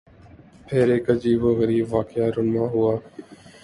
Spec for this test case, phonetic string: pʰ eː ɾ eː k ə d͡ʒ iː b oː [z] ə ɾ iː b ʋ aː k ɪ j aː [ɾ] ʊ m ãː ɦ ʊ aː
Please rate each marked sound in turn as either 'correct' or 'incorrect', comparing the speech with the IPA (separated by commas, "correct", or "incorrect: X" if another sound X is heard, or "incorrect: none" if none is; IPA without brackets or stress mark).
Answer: incorrect: ɣ, correct